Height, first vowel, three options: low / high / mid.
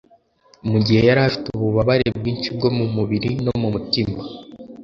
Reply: high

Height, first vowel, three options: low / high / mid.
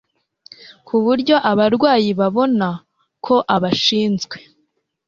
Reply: high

